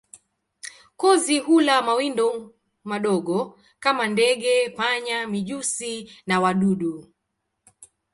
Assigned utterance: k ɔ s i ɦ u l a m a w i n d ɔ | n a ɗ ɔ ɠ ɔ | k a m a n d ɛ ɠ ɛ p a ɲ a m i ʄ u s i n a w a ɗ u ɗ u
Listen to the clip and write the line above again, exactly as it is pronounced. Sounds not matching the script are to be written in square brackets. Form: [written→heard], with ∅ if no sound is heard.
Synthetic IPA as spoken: k ɔ [s→z] i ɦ u l a m a w i n d ɔ | [n→m] a ɗ ɔ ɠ ɔ | k a m a n d ɛ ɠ ɛ p a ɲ a m i ʄ u s i n a w a ɗ u ɗ u